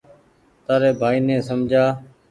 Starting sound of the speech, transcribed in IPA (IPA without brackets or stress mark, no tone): t̪